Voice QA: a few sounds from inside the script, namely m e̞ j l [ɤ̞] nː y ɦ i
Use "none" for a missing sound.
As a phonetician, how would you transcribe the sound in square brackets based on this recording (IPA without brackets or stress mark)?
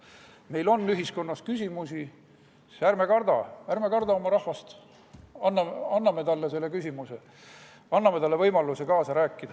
o̞